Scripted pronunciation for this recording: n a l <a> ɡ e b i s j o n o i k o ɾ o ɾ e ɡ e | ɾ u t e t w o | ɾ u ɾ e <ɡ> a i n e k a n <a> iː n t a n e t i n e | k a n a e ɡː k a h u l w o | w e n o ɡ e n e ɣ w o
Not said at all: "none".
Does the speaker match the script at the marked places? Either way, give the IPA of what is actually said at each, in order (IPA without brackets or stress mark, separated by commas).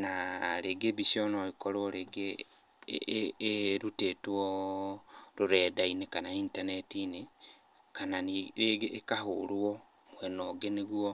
e, d, a